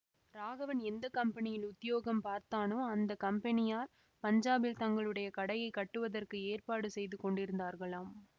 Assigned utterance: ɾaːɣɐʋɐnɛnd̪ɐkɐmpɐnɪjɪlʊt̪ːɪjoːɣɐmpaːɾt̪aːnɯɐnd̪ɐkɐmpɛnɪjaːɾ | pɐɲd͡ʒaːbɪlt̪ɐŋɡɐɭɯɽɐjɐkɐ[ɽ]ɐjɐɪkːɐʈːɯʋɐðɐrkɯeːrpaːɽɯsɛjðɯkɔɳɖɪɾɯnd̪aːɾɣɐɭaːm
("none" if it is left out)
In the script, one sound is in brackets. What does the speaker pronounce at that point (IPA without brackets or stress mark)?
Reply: ɽ